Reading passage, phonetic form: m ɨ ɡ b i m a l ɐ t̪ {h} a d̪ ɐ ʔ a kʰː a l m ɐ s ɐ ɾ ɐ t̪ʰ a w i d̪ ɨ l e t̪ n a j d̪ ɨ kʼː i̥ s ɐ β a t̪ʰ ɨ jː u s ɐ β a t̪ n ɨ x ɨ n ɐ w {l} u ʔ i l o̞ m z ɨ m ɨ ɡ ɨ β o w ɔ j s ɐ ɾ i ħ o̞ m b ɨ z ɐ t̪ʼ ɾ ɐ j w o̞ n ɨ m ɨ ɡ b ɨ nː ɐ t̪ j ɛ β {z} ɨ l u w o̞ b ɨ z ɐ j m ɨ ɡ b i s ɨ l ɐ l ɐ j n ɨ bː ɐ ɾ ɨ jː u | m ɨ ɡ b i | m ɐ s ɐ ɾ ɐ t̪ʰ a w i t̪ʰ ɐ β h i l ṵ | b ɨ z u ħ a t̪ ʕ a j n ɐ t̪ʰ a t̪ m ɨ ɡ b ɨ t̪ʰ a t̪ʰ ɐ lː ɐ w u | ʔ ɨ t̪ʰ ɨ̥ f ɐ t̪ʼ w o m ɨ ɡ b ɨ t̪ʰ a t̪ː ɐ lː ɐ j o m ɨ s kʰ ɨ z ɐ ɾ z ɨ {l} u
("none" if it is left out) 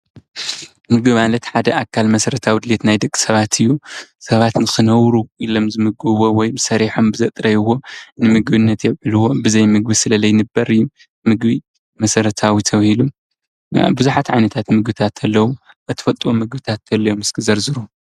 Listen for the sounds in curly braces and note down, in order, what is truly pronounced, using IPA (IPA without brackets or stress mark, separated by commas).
ħ, ɾ, ʕ, ɾ